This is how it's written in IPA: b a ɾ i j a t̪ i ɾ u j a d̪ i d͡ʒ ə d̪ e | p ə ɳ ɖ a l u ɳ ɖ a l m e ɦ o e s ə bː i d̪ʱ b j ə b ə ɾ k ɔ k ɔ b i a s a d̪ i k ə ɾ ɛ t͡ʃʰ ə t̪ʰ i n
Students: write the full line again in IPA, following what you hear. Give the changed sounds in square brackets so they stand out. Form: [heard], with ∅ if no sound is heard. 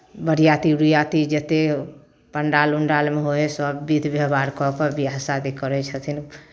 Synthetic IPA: b [ə] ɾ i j a t̪ i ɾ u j a [t̪] i d͡ʒ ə [t̪] e | p ə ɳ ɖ a l u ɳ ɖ a l m e ɦ o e s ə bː i d̪ʱ b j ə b [a] ɾ k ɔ k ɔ b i a s a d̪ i k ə ɾ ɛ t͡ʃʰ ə t̪ʰ i n